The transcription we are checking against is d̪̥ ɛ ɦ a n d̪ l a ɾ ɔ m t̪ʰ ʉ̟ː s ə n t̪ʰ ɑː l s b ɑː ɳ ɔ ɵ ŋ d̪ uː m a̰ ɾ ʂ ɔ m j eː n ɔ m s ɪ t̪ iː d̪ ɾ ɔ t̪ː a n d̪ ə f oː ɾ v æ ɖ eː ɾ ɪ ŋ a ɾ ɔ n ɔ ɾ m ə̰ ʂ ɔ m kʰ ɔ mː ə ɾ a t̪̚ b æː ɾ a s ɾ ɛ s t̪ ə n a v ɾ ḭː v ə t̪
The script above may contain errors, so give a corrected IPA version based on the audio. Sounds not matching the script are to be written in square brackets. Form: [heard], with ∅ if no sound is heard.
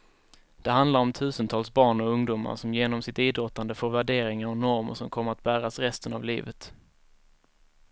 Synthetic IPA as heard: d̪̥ ɛ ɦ a n d̪ l a ɾ ɔ m t̪ʰ ʉ̟ː s ə n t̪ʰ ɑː l s b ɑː ɳ ɔ ɵ ŋ d̪ uː m a̰ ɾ ʂ ɔ m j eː n ɔ m s ɪ t̪ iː d̪ ɾ ɔ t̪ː a n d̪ ə f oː ɾ v æ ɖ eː ɾ ɪ ŋ a ɾ ɔ n ɔ ɾ m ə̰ ʂ ɔ m kʰ ɔ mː ə ɾ a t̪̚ b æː ɾ a s ɾ ɛ s t̪ ə n a v [l] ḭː v ə t̪